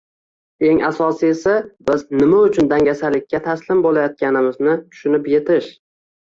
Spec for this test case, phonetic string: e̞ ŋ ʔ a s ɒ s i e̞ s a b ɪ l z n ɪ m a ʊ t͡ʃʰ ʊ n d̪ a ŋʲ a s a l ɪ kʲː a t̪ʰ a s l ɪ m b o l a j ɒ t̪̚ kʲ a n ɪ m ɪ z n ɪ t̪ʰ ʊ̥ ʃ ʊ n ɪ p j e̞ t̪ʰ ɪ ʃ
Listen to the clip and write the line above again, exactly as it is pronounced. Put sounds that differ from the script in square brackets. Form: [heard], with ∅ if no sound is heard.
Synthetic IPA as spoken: e̞ ŋ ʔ a s ɒ s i e̞ s a b ɪ [∅] z n ɪ m a ʊ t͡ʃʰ ʊ n d̪ a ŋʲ a s a l ɪ kʲː a t̪ʰ a s l ɪ m b o l a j ɒ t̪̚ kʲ a n ɪ m ɪ z n ɪ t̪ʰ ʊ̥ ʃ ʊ n ɪ p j e̞ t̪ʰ ɪ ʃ